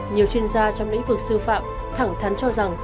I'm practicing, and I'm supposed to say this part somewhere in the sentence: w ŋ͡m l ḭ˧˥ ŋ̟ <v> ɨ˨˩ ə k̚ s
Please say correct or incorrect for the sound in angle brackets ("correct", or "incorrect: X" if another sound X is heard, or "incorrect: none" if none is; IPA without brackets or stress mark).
correct